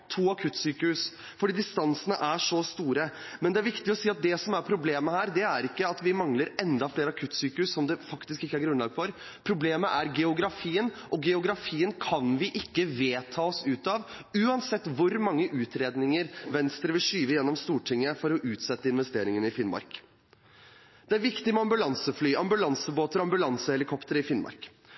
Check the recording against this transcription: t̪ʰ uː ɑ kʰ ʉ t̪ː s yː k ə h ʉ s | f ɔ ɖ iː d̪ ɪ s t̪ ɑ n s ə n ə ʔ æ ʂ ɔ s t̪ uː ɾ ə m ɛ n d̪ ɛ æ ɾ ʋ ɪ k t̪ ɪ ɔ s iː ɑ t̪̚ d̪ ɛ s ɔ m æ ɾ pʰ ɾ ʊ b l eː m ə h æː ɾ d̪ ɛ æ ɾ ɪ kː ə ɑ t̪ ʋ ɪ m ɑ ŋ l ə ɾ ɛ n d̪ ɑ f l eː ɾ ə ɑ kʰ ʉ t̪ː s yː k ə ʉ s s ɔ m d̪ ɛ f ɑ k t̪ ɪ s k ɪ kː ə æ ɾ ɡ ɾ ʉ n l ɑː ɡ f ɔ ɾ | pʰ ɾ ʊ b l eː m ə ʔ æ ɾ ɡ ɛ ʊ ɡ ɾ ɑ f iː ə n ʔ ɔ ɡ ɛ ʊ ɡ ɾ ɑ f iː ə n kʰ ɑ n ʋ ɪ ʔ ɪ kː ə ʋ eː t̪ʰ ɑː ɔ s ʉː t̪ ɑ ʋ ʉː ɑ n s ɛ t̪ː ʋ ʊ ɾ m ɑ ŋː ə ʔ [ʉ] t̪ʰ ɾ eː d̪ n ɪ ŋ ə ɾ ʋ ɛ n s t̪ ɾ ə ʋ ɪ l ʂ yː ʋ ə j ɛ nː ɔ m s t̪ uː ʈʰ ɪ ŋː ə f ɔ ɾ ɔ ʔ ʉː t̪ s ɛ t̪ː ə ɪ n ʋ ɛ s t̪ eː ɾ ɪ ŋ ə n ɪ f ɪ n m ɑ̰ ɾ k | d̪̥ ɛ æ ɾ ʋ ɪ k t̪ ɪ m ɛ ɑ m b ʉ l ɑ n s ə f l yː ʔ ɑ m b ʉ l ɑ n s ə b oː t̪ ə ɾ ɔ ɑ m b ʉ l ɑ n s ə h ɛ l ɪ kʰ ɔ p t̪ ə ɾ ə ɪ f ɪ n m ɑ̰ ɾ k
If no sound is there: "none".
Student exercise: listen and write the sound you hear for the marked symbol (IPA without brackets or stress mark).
ʉː